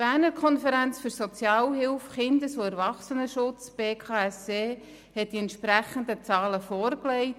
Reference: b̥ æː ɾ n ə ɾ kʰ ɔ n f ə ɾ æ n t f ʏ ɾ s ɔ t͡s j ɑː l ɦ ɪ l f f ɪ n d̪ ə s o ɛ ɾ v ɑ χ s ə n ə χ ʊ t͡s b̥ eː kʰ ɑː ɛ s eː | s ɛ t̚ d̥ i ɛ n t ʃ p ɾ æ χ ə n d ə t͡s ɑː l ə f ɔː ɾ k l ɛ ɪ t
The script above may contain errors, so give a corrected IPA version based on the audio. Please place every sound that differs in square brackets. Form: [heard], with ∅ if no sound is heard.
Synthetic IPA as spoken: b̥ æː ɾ n ə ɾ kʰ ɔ n f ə ɾ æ n [t͡s] f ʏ ɾ s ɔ t͡s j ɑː l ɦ ɪ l f [χ] ɪ n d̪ ə s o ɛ ɾ v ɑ χ s ə n ə [ʃ] ʊ t͡s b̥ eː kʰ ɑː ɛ s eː | [h] ɛ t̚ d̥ i ɛ n t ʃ p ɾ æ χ ə n d ə t͡s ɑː l ə f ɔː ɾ k l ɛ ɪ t